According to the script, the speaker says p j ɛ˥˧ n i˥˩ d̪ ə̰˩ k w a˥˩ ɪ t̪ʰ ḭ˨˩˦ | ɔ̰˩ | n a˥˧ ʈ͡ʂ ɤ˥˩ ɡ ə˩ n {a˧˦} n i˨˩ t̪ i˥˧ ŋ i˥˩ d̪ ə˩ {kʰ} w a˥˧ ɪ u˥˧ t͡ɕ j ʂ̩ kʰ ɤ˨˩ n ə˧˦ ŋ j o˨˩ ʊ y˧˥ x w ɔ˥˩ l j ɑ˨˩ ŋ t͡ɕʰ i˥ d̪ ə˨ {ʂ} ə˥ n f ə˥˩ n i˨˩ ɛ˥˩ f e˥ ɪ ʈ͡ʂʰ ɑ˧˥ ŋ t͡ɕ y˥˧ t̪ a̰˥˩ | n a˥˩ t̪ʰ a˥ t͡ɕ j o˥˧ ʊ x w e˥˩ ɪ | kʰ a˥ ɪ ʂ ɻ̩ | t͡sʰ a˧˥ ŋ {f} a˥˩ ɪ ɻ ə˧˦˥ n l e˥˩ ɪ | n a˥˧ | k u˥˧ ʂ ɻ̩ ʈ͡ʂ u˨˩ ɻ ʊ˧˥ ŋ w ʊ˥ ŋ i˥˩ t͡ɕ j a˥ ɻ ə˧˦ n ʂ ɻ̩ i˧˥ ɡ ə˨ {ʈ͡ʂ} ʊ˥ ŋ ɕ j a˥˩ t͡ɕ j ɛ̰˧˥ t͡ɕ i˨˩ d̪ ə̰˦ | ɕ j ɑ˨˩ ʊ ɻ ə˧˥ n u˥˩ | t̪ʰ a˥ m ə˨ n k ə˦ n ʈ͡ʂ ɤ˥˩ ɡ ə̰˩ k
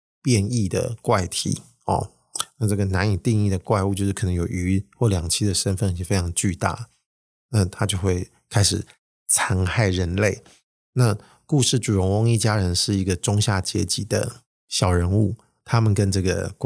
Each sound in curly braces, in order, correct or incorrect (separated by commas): correct, incorrect, correct, incorrect, correct